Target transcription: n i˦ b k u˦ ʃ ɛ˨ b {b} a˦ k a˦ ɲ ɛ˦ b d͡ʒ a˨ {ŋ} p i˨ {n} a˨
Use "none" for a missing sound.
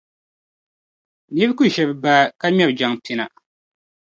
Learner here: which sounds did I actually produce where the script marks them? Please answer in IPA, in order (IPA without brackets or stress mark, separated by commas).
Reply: b, ŋ, n